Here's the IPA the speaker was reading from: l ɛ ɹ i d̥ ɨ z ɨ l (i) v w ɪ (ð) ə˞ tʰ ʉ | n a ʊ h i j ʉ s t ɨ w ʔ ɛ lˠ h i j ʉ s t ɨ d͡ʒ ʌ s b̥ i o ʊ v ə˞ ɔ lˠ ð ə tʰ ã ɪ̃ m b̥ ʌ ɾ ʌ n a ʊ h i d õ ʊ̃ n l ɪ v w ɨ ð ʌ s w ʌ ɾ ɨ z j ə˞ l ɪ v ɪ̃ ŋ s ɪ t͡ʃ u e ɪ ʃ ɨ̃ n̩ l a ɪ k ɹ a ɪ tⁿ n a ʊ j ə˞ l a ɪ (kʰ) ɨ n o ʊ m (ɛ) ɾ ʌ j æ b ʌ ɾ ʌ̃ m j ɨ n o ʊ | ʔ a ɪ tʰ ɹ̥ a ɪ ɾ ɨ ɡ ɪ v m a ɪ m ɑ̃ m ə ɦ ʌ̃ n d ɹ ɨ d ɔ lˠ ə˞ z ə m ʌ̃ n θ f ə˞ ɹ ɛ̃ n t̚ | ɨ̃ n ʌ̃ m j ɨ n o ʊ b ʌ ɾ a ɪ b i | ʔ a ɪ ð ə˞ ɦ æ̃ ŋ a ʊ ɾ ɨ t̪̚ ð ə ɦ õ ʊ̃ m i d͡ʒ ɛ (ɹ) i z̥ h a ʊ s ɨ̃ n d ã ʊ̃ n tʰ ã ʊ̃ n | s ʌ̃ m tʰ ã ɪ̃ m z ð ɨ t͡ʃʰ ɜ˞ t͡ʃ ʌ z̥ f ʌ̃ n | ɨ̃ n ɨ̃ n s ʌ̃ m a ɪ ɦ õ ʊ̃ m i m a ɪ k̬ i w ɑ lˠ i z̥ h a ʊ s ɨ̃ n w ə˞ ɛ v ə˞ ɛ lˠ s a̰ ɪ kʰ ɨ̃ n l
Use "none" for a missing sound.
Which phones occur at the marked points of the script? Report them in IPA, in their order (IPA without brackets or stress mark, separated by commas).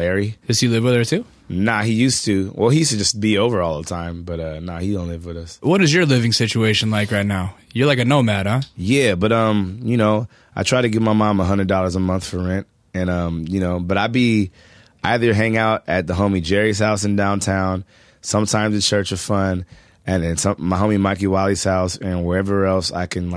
ɪ, ð, k, æ, ɹ